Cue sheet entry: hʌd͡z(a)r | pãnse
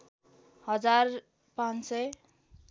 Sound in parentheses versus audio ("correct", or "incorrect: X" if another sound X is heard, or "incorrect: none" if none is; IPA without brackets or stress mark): correct